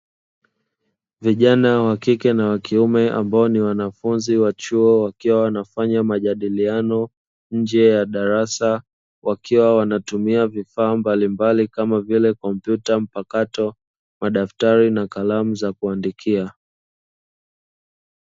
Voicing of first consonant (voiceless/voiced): voiced